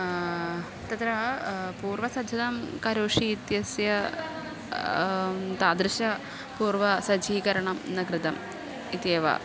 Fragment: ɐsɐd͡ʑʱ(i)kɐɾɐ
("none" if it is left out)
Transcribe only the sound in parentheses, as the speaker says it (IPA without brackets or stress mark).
iː